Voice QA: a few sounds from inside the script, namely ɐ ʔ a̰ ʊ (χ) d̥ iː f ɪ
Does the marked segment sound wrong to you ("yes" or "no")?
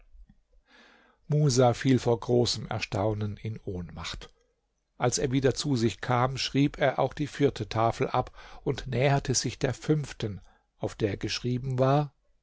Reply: yes